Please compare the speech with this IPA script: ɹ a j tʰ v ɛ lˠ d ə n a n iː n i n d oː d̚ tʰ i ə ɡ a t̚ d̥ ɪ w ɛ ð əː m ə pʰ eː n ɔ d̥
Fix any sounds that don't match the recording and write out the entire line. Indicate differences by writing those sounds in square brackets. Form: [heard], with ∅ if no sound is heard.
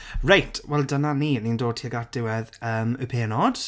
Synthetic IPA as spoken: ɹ a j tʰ [w] ɛ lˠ d ə n a n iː n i n d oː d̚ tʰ i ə ɡ a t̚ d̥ ɪ w ɛ ð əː m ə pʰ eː n ɔ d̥

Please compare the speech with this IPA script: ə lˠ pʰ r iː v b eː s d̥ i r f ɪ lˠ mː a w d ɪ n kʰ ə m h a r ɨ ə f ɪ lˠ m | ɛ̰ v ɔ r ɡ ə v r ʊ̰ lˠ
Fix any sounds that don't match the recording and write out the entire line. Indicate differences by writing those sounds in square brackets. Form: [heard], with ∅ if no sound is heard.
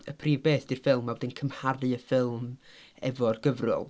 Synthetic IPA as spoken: ə [∅] pʰ r iː v b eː [θ] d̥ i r f ɪ lˠ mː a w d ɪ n kʰ ə m h a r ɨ ə f ɪ lˠ m | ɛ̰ v ɔ r ɡ ə v r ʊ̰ lˠ

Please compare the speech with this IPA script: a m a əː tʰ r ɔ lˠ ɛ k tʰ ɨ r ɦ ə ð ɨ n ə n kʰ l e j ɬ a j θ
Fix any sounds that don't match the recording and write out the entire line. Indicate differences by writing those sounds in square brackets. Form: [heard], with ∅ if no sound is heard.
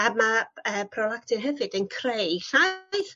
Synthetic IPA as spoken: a m a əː [pʰ] r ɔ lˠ [a] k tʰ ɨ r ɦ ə [v] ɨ [d] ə n kʰ [r] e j ɬ a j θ

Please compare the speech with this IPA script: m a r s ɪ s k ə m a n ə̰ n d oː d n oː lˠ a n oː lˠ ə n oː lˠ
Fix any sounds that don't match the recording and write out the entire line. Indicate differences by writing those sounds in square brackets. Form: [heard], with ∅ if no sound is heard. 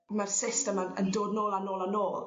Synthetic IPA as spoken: m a r s ɪ s [t] ə m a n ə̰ n d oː d n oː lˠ a n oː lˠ [a] n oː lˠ

